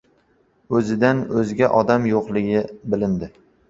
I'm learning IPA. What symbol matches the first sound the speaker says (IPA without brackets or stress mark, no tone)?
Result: ɵ